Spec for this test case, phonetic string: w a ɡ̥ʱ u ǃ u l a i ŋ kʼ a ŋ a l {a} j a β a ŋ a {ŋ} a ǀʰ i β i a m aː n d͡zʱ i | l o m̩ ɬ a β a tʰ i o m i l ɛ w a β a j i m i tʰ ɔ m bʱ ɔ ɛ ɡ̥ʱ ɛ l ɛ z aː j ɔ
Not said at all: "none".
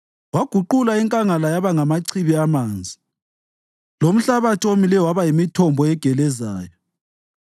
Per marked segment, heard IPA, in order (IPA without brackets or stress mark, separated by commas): a, m